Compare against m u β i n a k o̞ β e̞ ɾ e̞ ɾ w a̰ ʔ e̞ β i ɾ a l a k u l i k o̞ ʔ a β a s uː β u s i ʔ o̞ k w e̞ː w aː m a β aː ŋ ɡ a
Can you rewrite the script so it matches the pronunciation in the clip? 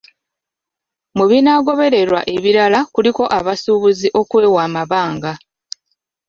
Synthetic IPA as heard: m u β i n a ɡ o̞ β e̞ ɾ e̞ ɾ w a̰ ʔ e̞ β i ɾ a l a k u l i k o̞ ʔ a β a s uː β u z i ʔ o̞ k w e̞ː w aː m a β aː ŋ ɡ a